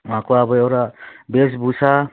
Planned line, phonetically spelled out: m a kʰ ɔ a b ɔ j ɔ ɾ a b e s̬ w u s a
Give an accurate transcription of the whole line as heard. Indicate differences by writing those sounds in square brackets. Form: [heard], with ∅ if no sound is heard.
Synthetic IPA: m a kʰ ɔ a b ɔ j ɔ ɾ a b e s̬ [b] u s a